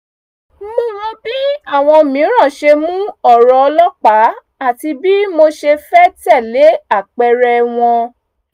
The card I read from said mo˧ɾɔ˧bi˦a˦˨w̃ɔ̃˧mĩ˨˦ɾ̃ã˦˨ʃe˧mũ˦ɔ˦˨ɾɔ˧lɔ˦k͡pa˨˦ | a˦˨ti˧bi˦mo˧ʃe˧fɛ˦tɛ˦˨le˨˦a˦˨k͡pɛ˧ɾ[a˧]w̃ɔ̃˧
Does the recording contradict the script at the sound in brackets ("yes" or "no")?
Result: yes